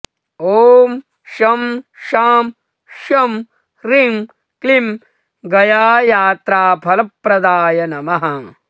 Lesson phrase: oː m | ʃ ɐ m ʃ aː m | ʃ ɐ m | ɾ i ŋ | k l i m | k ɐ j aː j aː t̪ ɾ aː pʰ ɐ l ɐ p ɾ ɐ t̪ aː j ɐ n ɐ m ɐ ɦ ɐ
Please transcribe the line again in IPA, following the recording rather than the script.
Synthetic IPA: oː m | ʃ ɐ m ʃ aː m | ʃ ɐ m | ɾ i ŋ | k l i m | ɡ ɐ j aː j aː t̪ ɾ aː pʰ ɐ l ɐ p ɾ ɐ d̪ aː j ɐ n ɐ m ɐ ɦ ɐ